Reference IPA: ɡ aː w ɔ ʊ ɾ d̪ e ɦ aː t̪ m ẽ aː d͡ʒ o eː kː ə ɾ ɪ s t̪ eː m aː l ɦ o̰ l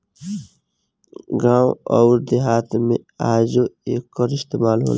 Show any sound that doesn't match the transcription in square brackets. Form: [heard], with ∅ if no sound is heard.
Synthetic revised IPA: ɡ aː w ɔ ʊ ɾ d̪ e ɦ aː t̪ m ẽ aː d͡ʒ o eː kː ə ɾ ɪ s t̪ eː m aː l ɦ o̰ l